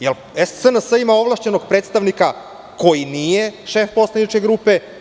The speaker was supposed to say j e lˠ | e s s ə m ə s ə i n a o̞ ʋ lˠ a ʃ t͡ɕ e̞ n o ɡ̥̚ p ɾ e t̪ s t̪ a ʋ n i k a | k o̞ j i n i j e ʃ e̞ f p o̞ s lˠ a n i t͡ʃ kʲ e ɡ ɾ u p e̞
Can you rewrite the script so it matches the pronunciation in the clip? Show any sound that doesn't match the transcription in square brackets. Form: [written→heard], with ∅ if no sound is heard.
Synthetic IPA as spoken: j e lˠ | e s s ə [m→n] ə s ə i [n→m] a o̞ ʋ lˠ a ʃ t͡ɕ e̞ n o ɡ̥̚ p ɾ e t̪ s t̪ a ʋ n i k a | k o̞ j i n i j e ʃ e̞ f p o̞ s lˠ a n i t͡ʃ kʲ e ɡ ɾ u p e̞